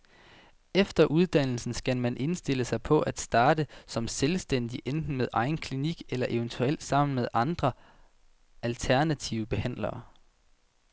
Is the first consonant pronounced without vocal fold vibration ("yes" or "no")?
yes